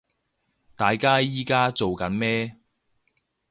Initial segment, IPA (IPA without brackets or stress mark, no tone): t̪